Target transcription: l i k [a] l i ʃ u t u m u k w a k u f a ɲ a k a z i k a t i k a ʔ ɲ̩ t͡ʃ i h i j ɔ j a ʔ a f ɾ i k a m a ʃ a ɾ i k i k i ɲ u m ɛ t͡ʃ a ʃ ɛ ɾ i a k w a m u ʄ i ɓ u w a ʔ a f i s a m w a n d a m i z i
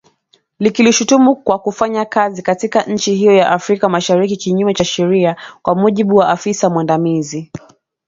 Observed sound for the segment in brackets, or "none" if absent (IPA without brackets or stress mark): i